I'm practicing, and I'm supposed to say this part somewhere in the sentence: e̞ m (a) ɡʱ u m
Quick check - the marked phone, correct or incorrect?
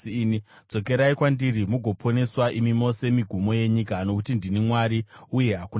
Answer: incorrect